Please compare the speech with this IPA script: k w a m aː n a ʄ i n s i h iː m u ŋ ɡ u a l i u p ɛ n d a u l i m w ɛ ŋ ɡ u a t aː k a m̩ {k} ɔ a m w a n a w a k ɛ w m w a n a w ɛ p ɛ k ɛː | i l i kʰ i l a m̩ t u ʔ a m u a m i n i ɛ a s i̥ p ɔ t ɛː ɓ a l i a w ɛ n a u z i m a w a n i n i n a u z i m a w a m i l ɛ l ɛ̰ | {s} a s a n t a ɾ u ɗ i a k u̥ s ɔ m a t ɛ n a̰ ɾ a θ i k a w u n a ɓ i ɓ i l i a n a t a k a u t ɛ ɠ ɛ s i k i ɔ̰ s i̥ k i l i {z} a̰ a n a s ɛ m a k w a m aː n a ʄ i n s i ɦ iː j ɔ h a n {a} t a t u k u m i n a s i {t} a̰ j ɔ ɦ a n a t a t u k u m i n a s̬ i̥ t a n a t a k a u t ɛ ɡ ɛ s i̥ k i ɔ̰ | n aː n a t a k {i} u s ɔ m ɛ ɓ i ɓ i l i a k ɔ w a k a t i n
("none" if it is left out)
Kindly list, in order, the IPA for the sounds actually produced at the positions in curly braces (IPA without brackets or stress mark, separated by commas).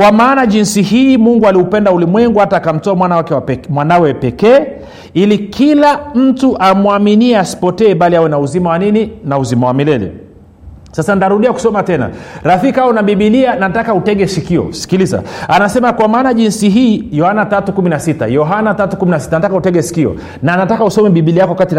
t, s, z, a, t, a